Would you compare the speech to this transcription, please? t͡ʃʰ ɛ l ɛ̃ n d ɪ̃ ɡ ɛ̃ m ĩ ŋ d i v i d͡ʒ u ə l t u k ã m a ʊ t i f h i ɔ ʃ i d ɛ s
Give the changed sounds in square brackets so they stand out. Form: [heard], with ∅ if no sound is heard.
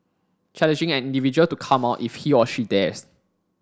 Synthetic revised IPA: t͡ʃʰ ɛ l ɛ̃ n [d͡ʒ] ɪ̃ [ŋ] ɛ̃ [n] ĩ [n] d i v i d͡ʒ u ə l t u [kʰ] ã m a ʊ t i f h i ɔ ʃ i d ɛ s